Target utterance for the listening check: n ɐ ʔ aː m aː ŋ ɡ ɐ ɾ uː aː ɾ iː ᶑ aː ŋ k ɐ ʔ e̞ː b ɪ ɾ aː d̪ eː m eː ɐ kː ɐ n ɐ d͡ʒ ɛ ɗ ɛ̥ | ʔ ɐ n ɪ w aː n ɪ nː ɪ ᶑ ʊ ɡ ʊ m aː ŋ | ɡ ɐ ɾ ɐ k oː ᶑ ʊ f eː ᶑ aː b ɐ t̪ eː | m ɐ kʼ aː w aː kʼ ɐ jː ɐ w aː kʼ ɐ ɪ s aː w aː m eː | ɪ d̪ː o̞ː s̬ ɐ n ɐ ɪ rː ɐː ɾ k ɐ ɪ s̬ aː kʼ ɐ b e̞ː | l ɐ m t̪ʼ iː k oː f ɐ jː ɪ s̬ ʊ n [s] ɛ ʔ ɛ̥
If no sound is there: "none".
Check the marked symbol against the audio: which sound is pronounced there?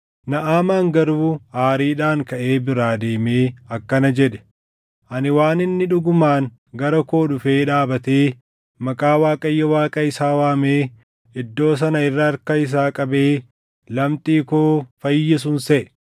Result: s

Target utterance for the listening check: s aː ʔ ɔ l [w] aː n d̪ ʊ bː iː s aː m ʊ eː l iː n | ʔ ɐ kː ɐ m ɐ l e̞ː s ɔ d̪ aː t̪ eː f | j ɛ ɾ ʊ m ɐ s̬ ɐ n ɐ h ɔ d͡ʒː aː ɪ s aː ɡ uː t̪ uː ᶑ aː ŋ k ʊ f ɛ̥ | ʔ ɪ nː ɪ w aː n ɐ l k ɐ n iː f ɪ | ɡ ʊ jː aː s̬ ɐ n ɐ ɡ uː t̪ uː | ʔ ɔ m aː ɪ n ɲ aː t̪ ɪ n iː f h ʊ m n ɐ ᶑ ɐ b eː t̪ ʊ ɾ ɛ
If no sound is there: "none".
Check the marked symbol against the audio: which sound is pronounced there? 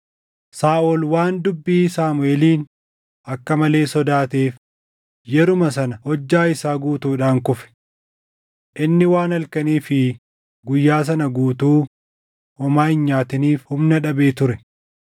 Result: w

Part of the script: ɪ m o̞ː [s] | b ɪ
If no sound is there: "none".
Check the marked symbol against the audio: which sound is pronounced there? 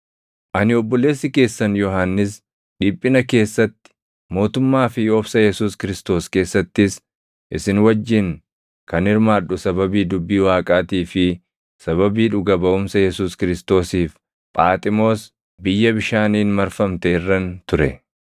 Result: s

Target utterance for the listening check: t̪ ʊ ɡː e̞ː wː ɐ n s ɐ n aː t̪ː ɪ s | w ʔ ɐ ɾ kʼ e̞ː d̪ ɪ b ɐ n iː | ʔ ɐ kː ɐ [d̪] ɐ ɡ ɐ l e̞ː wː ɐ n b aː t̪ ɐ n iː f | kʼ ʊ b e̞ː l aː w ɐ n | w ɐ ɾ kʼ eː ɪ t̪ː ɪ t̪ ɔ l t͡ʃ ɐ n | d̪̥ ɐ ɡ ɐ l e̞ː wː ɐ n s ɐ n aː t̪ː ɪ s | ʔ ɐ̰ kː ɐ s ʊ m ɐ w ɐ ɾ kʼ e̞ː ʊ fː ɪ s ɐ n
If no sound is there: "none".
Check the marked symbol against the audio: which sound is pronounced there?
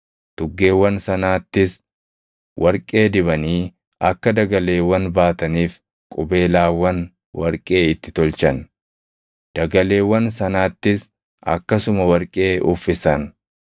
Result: d̪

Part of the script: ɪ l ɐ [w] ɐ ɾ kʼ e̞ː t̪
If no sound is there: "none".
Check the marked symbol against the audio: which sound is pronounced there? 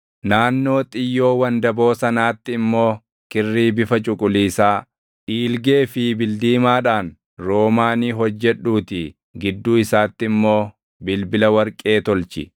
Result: w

